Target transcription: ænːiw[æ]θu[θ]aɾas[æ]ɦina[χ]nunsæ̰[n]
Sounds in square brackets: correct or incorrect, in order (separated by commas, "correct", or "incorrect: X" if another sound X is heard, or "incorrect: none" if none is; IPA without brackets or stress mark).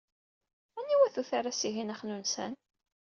correct, correct, incorrect: i, correct, correct